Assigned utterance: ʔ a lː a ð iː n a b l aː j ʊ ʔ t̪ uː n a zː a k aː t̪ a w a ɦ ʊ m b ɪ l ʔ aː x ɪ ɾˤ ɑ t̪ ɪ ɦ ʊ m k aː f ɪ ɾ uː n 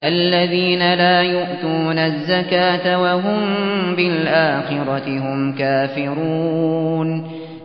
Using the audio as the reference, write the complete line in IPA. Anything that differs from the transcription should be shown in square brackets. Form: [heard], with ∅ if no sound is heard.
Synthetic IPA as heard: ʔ a lː a ð iː n a [∅] l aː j ʊ ʔ t̪ uː n a zː a k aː t̪ a w a ɦ ʊ m b ɪ l ʔ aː x ɪ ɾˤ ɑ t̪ ɪ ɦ ʊ m k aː f ɪ ɾ uː n